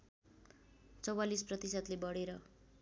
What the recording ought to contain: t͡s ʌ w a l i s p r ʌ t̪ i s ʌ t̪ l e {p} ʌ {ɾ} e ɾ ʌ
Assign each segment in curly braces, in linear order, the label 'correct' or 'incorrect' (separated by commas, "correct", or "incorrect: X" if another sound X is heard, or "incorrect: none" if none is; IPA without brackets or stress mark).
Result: incorrect: b, incorrect: ɽ